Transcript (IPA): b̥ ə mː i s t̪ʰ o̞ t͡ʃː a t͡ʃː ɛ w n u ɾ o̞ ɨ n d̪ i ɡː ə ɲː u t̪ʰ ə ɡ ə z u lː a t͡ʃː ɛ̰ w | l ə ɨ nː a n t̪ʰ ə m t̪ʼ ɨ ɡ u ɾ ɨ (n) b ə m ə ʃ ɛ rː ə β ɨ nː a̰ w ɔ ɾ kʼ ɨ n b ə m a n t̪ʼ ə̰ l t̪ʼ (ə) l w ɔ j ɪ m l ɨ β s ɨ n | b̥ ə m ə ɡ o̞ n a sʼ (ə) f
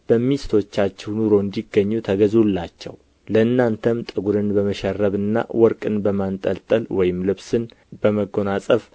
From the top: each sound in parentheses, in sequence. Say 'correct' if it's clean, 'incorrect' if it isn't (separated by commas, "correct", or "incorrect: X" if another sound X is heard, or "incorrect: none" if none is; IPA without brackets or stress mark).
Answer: correct, correct, correct